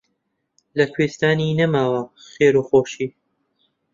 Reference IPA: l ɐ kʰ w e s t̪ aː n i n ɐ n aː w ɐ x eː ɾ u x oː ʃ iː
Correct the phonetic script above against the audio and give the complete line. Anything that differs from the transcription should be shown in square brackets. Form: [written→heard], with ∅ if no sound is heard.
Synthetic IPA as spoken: l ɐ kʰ w e s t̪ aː n i n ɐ [n→m] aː w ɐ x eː ɾ u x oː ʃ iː